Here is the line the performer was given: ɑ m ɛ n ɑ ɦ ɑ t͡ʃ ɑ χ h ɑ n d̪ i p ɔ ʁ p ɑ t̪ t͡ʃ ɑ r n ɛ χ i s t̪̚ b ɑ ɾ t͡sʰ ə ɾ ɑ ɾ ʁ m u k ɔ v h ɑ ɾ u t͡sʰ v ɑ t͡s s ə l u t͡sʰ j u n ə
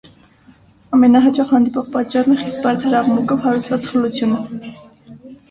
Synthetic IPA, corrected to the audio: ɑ m ɛ n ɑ ɦ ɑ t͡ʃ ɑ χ h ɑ n d̪ i p ɔ ʁ p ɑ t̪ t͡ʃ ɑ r n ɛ χ i s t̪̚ b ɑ ɾ t͡sʰ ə ɾ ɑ ʁ m u k ɔ v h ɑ ɾ u t͡sʰ v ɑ t͡s χ ə l u t͡sʰ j u n ə